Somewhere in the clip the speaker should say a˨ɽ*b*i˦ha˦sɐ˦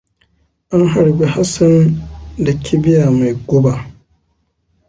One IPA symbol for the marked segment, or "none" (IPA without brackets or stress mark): b